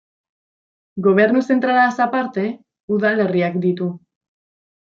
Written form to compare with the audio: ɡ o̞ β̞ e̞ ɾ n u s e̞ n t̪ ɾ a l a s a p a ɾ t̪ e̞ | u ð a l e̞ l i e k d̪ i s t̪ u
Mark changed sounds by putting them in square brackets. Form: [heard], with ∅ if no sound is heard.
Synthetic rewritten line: ɡ o̞ β̞ e̞ ɾ n u s e̞ n t̪ ɾ a l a s a p a ɾ t̪ e̞ | u ð a l e̞ [r] i [a] k d̪ i [∅] t̪ u